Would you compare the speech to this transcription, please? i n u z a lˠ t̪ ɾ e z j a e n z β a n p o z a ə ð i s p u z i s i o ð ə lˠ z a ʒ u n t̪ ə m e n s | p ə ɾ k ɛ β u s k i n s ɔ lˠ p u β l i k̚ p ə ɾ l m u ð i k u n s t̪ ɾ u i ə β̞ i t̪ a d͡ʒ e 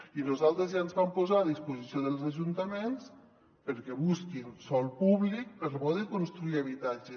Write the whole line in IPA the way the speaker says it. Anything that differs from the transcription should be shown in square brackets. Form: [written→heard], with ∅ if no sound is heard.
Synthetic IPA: i n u z a lˠ t̪ ɾ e z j a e n z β a [n→m] p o z a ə ð i s p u z i s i o ð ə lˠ z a ʒ u n t̪ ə m e n s | p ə ɾ k ɛ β u s k i n s ɔ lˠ p u β l i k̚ p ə ɾ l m [u→ɔ] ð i k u n s t̪ ɾ u i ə β̞ i t̪ a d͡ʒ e